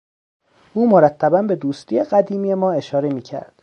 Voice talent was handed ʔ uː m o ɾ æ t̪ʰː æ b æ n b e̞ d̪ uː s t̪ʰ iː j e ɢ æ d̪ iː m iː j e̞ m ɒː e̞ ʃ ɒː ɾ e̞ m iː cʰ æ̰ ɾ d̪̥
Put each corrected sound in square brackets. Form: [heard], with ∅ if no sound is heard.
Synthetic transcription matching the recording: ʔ uː m o ɾ æ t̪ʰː æ b æ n b e̞ d̪ uː s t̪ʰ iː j e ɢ æ d̪ iː m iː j e̞ m ɒː e̞ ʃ ɒː ɾ e̞ m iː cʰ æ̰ ɾ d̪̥